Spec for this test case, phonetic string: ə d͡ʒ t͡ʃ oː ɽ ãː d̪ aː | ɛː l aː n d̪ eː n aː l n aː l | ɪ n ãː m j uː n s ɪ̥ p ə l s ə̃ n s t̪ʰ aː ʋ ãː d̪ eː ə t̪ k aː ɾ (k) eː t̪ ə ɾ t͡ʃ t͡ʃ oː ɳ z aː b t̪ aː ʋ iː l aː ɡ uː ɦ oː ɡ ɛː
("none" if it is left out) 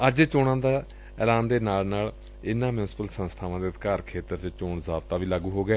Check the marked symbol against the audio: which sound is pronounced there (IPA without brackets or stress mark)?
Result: kʰ